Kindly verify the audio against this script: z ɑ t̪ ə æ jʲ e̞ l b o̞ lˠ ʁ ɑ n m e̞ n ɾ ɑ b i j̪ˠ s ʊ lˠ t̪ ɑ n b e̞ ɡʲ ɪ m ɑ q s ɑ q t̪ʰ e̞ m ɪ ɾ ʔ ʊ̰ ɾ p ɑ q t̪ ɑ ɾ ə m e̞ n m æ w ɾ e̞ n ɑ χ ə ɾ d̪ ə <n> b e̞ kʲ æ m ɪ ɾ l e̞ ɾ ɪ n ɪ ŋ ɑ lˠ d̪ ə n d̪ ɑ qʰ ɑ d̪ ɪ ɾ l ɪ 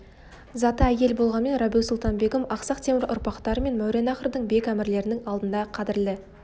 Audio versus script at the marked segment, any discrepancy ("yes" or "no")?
yes